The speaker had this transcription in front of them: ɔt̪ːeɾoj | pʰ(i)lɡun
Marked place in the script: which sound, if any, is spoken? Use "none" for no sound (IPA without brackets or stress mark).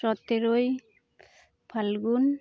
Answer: a